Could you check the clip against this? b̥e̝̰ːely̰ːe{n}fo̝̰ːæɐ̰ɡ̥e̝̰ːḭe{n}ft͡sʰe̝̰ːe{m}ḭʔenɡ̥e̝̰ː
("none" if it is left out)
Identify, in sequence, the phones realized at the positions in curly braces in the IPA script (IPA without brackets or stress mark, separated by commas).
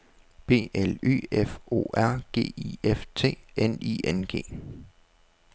none, none, n